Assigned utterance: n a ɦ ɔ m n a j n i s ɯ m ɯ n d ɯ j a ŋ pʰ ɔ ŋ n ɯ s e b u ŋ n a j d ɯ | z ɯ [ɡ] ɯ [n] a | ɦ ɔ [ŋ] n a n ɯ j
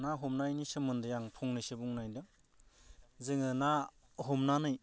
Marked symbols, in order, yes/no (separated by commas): no, yes, no